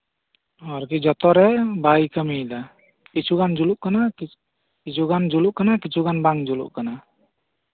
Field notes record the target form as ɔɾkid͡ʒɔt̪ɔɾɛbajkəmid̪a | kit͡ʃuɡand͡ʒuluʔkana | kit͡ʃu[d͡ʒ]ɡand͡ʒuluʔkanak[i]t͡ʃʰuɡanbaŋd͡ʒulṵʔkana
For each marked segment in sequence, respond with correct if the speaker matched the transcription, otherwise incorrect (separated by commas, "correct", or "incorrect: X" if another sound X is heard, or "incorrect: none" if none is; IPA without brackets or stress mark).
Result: incorrect: none, correct